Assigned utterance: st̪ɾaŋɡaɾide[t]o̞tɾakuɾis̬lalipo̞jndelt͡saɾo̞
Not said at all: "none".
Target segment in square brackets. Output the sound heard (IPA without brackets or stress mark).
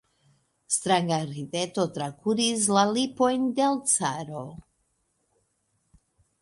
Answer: t